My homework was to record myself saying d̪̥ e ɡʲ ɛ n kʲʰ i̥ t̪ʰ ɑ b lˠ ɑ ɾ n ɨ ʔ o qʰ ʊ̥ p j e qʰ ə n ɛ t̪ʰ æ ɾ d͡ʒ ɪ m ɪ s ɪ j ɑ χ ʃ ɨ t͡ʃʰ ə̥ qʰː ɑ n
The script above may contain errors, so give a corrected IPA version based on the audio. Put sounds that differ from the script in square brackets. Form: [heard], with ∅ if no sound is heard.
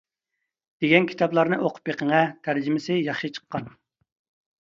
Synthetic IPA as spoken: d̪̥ e ɡʲ ɛ n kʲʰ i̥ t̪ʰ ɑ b lˠ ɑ ɾ n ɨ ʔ o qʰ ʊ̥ p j e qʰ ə [ŋ] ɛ t̪ʰ æ ɾ d͡ʒ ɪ m ɪ s ɪ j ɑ χ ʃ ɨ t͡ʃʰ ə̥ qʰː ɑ n

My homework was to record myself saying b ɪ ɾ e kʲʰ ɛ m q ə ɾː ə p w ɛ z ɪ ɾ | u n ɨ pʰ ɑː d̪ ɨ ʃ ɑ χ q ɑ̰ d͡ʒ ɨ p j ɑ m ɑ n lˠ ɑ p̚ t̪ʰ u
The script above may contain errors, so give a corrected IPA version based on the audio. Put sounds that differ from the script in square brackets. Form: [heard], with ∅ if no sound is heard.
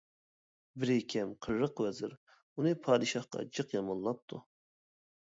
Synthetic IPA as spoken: b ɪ ɾ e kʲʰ ɛ m [qʰ] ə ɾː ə [q] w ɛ z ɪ ɾ | u n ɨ pʰ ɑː d̪ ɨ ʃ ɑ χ q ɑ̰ d͡ʒ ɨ [q] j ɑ m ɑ n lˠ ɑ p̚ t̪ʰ u

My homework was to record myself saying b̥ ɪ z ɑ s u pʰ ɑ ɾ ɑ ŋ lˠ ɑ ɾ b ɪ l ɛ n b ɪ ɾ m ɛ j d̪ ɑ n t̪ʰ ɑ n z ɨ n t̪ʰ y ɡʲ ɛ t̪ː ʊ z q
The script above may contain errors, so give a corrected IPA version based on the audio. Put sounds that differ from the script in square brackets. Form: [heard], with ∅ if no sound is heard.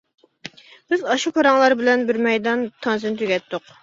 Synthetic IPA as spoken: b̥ ɪ z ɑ [ʃ] u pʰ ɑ ɾ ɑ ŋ lˠ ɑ ɾ b ɪ l ɛ n b ɪ ɾ m ɛ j d̪ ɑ n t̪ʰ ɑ n z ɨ n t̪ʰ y ɡʲ ɛ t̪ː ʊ [∅] q

